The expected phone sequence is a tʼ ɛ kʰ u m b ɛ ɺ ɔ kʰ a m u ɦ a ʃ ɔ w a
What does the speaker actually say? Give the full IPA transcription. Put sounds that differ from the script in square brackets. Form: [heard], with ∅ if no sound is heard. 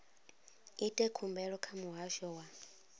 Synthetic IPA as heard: [i] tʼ ɛ kʰ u m b ɛ ɺ ɔ kʰ a m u ɦ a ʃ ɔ w a